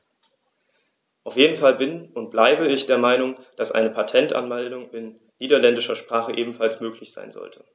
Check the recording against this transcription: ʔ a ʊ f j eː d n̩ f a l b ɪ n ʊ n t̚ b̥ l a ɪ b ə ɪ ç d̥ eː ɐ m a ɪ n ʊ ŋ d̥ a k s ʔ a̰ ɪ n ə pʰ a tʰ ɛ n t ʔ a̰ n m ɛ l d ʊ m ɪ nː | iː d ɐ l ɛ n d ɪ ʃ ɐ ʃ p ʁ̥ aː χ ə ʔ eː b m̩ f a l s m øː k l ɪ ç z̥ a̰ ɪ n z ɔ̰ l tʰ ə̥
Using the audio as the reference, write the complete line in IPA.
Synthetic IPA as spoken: ʔ a ʊ f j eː d n̩ f a l b ɪ n ʊ n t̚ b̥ l a ɪ b ə ɪ ç d̥ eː ɐ m a ɪ n ʊ ŋ d̥ a s ʔ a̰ ɪ n ə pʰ a tʰ ɛ n t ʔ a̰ n m ɛ l d ʊ ŋ ɪ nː | iː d ɐ l ɛ n d ɪ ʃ ɐ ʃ p ʁ̥ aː χ ə ʔ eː b m̩ f a l s m øː k l ɪ ç z̥ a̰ ɪ n z ɔ̰ l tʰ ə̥

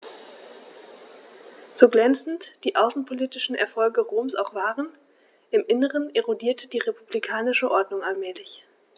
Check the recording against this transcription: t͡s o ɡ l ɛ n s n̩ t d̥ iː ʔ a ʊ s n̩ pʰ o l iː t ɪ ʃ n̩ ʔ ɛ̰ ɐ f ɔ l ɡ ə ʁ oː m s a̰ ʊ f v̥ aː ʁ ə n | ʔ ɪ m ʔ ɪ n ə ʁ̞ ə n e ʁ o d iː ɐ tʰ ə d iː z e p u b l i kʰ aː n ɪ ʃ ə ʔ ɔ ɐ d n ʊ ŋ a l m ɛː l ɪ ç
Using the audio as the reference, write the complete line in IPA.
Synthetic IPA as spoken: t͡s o ɡ l ɛ n t͡s n̩ t d̥ iː ʔ a ʊ s n̩ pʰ o l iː t ɪ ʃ n̩ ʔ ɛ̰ ɐ f ɔ l ɡ ə ʁ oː m s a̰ ʊ x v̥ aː ʁ ə n | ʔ ɪ m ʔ ɪ n ə ʁ̞ ə n e ʁ o d iː ɐ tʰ ə d iː ʁ e p u b l i kʰ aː n ɪ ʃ ə ʔ ɔ ɐ d n ʊ ŋ a l m ɛː l ɪ ç

